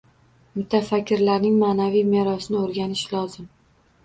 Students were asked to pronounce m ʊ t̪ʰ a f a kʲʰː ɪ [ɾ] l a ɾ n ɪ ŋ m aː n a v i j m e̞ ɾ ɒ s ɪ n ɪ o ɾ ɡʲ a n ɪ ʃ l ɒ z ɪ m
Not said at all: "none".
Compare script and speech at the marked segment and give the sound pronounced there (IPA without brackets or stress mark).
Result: ɾ